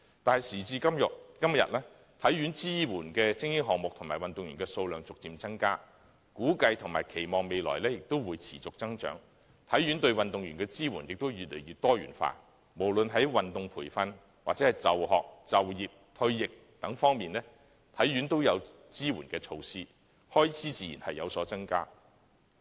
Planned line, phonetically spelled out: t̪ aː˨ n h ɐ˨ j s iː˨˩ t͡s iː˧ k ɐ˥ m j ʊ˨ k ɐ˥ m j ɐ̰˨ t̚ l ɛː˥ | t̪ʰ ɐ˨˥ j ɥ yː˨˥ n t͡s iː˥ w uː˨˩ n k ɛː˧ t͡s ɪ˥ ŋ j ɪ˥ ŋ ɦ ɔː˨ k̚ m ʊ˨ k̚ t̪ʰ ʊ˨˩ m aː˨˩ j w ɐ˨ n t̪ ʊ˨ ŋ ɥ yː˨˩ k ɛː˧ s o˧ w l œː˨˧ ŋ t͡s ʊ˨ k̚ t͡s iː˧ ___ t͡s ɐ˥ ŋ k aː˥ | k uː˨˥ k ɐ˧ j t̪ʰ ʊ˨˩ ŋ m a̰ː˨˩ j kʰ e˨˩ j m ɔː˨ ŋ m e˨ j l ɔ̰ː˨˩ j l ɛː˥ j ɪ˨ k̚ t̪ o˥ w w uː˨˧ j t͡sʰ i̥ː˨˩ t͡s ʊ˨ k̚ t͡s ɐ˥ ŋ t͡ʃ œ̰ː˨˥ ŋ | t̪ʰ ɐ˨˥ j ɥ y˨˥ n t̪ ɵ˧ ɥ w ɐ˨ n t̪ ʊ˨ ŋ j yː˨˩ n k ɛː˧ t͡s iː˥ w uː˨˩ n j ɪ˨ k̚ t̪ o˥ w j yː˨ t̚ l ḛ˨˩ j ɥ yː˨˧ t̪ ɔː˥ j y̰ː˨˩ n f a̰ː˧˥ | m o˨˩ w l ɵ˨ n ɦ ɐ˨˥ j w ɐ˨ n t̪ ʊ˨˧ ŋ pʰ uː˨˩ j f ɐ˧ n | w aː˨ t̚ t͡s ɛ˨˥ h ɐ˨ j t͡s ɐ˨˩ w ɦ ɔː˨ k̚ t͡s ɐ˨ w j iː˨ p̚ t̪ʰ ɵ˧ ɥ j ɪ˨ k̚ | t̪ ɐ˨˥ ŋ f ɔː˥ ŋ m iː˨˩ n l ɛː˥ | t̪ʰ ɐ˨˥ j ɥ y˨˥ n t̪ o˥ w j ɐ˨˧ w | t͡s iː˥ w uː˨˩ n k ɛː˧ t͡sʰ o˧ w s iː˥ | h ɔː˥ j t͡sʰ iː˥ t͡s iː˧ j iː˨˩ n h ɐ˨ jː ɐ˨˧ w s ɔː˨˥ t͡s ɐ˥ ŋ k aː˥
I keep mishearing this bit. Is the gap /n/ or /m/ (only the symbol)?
m